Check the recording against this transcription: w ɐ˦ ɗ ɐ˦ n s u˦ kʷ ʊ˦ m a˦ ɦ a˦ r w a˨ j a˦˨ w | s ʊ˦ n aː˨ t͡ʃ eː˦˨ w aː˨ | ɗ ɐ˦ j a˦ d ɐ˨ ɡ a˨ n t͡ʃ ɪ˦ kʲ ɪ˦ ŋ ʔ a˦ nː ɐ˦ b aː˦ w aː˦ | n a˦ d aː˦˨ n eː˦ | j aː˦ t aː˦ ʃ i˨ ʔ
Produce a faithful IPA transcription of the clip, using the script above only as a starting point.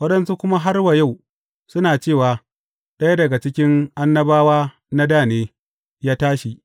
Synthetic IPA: w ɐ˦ ɗ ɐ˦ n s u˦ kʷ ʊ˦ m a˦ ɦ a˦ r w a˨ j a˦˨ w | s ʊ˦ n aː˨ t͡ʃ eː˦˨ w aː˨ | ɗ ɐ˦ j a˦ d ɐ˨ ɡ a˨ t͡ʃ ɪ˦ kʲ ɪ˦ ŋ ʔ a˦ nː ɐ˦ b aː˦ w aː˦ | n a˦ d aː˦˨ n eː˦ | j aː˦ t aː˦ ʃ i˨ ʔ